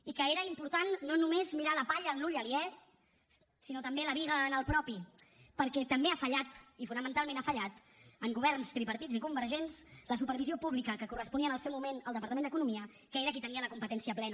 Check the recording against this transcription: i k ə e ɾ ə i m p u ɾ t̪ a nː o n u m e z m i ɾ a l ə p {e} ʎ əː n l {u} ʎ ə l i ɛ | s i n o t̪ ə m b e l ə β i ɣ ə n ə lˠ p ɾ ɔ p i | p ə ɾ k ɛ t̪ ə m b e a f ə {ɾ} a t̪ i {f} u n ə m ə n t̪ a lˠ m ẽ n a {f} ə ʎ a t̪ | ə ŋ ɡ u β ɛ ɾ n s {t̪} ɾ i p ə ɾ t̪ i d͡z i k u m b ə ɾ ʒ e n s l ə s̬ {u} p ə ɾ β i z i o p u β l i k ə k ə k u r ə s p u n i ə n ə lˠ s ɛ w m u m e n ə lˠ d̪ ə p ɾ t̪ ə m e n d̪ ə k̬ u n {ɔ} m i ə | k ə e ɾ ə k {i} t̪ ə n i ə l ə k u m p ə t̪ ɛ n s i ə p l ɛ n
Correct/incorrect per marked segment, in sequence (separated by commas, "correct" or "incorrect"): incorrect, correct, incorrect, correct, correct, correct, correct, incorrect, correct